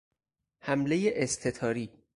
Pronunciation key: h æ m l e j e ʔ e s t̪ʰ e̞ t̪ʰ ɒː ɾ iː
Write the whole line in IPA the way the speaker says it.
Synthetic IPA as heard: h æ m l e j e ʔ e s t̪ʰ e̞ t̪ʰ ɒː ɾ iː